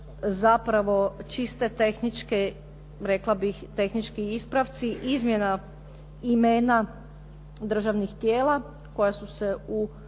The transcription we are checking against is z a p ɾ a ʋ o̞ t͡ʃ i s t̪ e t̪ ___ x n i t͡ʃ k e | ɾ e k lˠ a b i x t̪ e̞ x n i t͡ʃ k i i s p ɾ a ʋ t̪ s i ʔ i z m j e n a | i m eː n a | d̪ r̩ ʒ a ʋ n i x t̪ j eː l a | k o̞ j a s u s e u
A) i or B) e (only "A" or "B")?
B